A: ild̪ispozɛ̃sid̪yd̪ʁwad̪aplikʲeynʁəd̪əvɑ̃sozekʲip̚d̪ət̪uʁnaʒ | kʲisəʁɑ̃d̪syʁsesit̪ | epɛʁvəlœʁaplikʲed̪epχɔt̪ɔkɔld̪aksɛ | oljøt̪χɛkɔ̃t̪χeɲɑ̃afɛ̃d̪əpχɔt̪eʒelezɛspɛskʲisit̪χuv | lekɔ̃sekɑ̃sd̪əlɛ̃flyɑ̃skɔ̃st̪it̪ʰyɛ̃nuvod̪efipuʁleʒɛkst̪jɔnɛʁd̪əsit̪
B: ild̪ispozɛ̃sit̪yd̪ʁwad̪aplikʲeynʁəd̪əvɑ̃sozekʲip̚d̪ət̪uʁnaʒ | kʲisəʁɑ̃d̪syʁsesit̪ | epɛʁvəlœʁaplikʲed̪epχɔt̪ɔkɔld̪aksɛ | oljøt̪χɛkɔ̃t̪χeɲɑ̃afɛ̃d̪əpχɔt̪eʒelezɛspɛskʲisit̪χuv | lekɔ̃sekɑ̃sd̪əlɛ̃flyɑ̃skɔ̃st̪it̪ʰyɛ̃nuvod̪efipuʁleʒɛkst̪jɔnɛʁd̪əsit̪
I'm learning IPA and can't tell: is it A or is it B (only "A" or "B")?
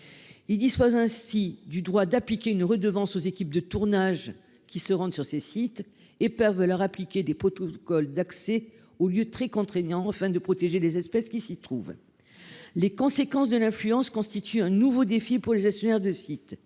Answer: A